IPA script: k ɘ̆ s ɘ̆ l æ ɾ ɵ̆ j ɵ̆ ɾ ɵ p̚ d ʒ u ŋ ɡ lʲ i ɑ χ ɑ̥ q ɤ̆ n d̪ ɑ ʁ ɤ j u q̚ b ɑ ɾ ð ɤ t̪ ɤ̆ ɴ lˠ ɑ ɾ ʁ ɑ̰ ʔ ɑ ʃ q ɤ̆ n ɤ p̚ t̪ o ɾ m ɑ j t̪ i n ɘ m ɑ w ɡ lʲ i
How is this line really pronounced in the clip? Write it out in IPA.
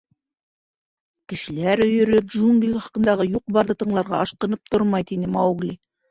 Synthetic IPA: k ɘ̆ ʃ ɘ̆ l æ ɾ ɵ̆ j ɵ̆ ɾ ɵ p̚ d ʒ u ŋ ɡ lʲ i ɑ χ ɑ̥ q ɤ̆ n d̪ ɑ ʁ ɤ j u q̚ b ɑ ɾ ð ɤ t̪ ɤ̆ ɴ lˠ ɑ ɾ ʁ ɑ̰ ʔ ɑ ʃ q ɤ̆ n ɤ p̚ t̪ o ɾ m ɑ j t̪ i n ɘ m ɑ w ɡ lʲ i